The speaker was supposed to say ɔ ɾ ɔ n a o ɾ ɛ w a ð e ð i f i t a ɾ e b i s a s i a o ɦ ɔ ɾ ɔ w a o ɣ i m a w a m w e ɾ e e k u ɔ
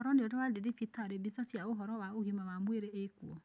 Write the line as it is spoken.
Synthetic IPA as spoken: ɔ ɾ ɔ n e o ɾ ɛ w a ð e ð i f i t a ɾ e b i s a s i a o ɦ ɔ ɾ ɔ w a o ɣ i m a w a m w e ɾ e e k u ɔ